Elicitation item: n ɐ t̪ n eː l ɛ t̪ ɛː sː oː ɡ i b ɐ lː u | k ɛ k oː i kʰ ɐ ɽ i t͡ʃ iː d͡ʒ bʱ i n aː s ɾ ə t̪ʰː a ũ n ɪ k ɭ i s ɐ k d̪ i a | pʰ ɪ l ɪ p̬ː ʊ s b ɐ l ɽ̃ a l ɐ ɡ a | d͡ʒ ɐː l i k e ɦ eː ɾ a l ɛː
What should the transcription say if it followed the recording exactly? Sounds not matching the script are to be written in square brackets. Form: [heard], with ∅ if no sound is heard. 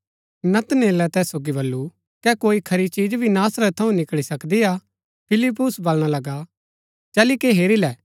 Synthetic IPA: n ɐ t̪ n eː l ɛ t̪ ɛː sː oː ɡ i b ɐ lː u | k ɛ k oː i kʰ ɐ [ɾ] i t͡ʃ iː d͡ʒ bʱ i n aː s ɾ ə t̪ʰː [ɐ] ũ n ɪ k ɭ i s ɐ k d̪ i a | pʰ ɪ l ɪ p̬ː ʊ s b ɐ l ɽ̃ a l ɐ ɡ a | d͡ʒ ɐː l i k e ɦ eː ɾ [i] l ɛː